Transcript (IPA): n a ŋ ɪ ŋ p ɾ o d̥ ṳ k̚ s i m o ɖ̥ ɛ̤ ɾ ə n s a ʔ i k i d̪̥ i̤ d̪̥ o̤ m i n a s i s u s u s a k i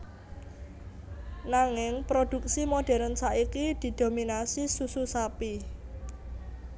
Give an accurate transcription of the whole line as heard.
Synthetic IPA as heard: n a ŋ ɪ ŋ p ɾ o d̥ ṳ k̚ s i m o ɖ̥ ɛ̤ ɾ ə n s a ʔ i k i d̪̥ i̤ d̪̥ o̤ m i n a s i s u s u s a p i